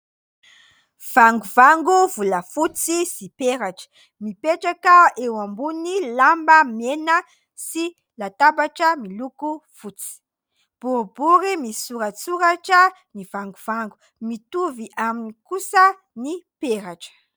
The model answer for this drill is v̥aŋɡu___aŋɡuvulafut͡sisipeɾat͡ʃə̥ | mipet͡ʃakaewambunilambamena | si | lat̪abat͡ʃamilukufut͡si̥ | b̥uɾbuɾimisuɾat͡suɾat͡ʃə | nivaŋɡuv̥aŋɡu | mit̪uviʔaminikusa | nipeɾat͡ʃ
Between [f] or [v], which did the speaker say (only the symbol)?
v